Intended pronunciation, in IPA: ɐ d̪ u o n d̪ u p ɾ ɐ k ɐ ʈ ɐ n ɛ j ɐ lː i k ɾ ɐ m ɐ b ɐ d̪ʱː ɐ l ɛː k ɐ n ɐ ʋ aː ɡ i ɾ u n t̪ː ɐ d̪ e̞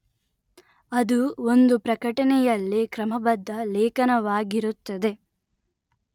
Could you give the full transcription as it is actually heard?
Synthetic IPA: ɐ d̪ u o n d̪ u p ɾ ɐ k ɐ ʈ ɐ n ɛ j ɐ lː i k ɾ ɐ m ɐ b ɐ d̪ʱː ɐ l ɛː k ɐ n ɐ ʋ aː ɡ i ɾ u t̪ː ɐ d̪ e̞